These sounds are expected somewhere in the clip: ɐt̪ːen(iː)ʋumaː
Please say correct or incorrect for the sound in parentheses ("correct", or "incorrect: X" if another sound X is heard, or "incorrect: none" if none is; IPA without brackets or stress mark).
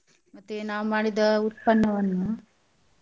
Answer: incorrect: aː